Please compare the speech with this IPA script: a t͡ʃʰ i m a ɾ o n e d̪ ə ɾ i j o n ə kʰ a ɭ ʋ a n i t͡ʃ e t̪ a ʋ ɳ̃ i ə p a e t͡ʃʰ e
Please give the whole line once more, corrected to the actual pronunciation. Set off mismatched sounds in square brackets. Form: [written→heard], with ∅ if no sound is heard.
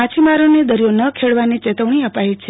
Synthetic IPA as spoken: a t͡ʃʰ i m a ɾ o n e d̪ ə ɾ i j o n ə kʰ [a→e] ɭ ʋ a n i t͡ʃ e t̪ [a→ə] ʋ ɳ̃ i ə p a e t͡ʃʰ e